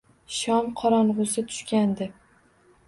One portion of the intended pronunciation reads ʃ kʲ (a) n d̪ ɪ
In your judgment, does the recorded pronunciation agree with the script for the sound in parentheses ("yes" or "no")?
yes